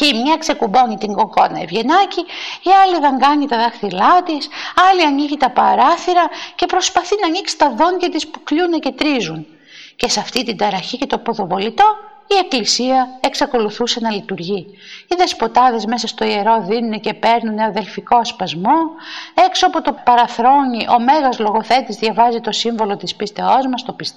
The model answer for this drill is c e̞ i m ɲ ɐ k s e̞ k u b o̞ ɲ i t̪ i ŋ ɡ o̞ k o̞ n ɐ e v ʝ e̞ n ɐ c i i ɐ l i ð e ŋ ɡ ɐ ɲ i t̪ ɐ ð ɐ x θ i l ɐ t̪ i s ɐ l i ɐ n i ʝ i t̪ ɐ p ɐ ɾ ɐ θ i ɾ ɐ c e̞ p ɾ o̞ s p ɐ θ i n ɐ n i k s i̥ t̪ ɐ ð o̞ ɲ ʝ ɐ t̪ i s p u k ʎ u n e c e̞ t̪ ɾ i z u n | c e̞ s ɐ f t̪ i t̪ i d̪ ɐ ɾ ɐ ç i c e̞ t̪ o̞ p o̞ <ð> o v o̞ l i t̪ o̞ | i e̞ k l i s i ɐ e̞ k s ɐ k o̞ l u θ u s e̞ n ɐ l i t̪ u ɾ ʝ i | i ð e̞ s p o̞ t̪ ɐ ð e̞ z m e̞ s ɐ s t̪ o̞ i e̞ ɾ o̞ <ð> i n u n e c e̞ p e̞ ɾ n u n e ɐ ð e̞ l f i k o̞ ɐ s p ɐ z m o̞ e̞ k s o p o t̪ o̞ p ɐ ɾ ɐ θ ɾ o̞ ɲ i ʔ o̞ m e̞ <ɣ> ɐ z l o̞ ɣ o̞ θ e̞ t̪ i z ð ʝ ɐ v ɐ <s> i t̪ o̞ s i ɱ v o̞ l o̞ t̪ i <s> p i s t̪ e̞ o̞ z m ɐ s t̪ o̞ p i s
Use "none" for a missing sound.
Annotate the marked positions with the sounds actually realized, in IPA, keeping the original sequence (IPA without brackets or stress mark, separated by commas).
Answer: ð, ð, ɣ, z, s